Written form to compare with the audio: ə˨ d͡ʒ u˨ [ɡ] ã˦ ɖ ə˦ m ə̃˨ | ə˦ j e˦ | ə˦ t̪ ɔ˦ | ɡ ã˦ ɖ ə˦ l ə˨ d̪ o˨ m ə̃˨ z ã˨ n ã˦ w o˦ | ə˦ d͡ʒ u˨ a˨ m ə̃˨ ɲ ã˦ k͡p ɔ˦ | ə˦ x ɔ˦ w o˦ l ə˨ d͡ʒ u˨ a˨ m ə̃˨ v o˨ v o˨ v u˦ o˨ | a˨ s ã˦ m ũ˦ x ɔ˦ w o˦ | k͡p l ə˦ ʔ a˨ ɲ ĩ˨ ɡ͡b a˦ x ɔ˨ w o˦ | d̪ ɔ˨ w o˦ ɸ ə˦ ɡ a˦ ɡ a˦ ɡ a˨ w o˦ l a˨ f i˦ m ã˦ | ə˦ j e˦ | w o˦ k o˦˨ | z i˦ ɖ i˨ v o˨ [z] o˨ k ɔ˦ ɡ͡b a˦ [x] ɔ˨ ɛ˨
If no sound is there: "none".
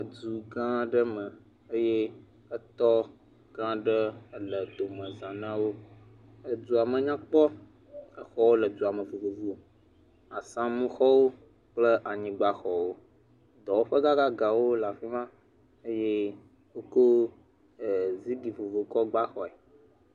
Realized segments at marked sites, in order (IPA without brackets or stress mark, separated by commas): ɡ, v, x